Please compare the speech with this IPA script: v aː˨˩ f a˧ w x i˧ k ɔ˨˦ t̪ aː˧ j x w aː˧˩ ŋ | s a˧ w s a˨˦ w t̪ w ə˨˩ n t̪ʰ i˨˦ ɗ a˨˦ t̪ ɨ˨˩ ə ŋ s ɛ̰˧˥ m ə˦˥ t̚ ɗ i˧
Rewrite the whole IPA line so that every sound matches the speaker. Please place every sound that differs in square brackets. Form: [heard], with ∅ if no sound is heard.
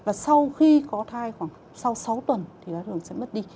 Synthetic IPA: v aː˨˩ [s] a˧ w x i˧ k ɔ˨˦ [t̪ʰ] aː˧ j x w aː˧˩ ŋ | s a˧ w s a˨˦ w t̪ w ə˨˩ n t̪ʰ [i˨˩] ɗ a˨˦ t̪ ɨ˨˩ ə ŋ s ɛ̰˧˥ m ə˦˥ t̚ ɗ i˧